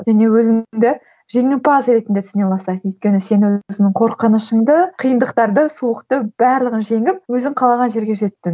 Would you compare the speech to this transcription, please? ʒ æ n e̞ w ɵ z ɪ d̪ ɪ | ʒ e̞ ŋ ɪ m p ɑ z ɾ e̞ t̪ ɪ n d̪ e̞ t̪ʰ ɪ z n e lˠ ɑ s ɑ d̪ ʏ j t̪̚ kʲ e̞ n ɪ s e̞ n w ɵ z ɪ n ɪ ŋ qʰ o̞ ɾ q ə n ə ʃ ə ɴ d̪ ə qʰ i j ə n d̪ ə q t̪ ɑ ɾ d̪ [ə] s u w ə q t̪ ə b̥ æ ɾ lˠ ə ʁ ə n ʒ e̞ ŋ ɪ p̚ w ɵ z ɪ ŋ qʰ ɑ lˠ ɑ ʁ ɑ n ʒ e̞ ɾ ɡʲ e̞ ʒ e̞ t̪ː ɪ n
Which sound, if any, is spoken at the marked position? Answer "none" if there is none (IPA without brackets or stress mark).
ə